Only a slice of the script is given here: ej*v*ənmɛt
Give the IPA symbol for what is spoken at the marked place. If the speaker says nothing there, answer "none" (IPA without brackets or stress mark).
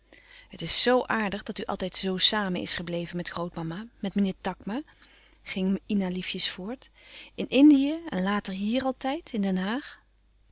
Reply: v